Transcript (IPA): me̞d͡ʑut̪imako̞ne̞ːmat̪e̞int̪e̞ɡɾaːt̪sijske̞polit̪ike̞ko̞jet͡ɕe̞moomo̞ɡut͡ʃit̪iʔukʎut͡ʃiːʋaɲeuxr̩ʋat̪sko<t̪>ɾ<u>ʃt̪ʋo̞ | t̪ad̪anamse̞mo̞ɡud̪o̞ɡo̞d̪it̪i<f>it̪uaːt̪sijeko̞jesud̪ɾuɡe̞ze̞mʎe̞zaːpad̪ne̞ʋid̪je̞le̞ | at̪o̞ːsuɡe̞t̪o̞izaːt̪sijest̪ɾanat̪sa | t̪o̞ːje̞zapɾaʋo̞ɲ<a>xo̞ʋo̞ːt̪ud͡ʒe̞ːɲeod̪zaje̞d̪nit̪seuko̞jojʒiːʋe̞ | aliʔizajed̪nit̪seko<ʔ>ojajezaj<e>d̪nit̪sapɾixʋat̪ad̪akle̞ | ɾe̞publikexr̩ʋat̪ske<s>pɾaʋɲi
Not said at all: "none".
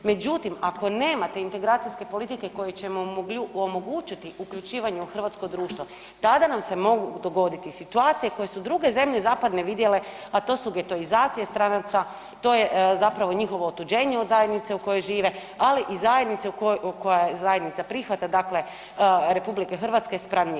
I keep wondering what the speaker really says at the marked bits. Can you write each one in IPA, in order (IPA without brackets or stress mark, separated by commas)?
d̪, uː, s, i, k, e, s